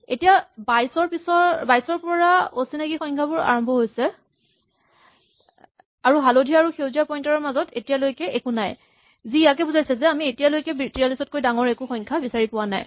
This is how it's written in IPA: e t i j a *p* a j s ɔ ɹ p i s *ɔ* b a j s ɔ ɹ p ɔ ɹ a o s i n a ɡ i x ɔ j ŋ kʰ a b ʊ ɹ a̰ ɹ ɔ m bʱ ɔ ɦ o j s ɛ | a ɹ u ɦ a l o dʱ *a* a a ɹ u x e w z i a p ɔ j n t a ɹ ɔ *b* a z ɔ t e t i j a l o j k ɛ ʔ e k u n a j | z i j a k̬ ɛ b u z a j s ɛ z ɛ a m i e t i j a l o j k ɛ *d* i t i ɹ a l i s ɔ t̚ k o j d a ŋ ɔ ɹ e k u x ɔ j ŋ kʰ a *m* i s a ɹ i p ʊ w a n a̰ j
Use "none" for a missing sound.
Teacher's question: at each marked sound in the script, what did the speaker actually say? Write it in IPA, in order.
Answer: b, ɔ, i, m, b, b

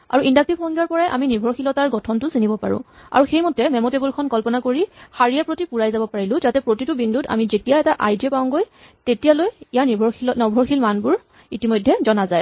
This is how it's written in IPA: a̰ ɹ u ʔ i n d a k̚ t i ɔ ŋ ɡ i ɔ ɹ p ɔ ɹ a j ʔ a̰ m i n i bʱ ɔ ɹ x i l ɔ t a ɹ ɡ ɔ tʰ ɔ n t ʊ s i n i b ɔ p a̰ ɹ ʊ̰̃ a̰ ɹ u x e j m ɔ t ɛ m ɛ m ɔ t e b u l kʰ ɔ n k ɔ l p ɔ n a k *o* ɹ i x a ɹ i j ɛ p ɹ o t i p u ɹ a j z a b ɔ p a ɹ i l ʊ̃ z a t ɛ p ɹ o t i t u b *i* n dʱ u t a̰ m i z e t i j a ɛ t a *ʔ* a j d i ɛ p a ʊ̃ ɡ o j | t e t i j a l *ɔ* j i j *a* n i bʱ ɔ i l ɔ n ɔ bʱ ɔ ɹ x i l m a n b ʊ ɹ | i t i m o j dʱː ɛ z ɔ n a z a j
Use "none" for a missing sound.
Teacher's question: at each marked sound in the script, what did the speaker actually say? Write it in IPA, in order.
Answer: o, i, ʔ, o, a

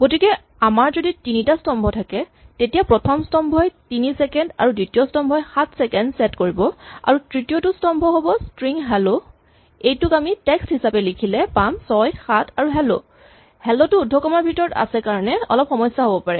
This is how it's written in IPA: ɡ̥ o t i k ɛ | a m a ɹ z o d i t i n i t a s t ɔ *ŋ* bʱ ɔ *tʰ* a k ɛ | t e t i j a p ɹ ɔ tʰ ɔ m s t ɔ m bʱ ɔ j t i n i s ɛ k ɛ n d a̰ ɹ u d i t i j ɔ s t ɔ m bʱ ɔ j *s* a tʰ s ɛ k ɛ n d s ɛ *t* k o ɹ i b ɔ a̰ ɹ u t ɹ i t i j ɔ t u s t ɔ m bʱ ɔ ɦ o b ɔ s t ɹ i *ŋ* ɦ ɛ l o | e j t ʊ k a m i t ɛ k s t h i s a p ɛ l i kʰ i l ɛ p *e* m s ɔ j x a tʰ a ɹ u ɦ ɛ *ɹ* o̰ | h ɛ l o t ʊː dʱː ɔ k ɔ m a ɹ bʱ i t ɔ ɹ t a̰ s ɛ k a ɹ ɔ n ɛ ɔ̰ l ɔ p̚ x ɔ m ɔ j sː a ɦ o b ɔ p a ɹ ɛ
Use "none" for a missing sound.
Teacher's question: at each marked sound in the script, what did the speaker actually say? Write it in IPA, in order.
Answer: m, tʰ, x, t, ŋ, a, l

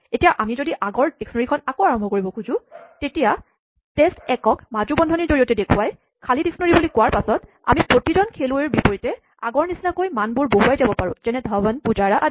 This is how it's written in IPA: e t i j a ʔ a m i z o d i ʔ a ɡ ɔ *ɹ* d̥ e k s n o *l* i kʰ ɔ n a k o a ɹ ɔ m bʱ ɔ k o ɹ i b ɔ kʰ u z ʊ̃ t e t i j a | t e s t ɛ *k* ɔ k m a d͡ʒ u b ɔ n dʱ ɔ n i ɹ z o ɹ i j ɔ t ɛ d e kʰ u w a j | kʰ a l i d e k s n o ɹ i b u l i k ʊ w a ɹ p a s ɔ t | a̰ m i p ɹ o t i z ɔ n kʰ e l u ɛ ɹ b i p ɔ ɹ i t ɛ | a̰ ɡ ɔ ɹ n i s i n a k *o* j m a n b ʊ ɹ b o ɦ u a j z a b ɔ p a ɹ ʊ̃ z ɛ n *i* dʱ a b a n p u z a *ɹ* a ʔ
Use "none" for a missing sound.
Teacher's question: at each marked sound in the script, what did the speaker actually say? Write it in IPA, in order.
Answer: ɹ, ɹ, k, o, ɛ, ɹ

